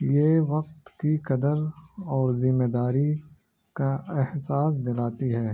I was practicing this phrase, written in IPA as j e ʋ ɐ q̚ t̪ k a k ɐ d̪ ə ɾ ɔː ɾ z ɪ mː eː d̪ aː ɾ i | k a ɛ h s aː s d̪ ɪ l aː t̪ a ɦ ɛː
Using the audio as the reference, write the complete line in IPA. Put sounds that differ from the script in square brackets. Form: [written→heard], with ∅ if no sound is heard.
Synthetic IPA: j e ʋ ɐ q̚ t̪ k [a→i] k ɐ d̪ ə ɾ ɔː ɾ z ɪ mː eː d̪ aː ɾ i | k a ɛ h s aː s d̪ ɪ l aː t̪ [a→i] ɦ ɛː